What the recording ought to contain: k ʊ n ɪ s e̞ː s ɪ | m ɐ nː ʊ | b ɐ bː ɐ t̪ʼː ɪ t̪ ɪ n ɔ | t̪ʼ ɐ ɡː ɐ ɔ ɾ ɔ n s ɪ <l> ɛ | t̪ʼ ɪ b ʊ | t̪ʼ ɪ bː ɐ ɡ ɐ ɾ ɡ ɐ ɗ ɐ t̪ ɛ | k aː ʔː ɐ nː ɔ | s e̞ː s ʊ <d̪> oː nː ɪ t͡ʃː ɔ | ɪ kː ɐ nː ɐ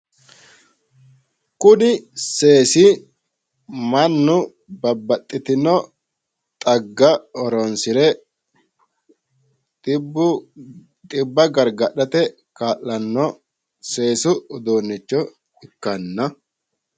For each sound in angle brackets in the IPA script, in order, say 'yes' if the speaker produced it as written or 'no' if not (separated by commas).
no, yes